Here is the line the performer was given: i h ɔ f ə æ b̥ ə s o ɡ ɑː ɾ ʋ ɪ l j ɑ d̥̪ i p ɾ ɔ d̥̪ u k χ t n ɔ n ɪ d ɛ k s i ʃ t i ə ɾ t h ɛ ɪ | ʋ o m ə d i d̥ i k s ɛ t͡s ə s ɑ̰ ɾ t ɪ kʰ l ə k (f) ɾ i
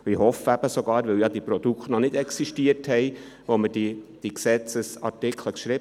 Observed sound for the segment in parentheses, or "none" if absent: ʃ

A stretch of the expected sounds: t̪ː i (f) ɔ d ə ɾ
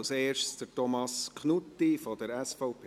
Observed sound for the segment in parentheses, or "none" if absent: f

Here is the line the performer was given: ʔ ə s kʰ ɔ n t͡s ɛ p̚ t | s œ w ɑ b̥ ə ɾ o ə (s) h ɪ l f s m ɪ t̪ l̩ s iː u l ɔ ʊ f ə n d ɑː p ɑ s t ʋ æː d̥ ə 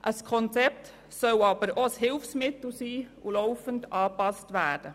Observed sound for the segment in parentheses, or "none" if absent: s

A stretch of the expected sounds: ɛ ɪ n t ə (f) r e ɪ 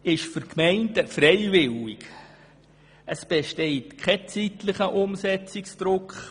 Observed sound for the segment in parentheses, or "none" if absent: f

